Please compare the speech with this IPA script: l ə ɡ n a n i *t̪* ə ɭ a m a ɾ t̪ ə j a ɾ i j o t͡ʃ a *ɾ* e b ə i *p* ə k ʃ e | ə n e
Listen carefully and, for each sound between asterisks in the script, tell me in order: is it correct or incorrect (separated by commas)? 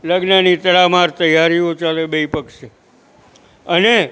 correct, incorrect, correct